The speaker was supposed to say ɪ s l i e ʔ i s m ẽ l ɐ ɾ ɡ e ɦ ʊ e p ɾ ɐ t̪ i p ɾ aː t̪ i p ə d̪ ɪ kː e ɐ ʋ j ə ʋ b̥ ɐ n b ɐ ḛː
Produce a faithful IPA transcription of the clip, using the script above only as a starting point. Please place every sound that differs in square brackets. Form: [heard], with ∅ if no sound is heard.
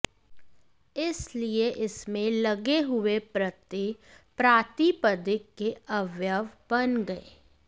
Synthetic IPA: ɪ s l i e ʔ [ɪ] s m ẽ l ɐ [∅] ɡ e ɦ ʊ e p ɾ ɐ t̪ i p ɾ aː t̪ i p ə d̪ ɪ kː e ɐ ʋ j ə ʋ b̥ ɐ n [ɡ] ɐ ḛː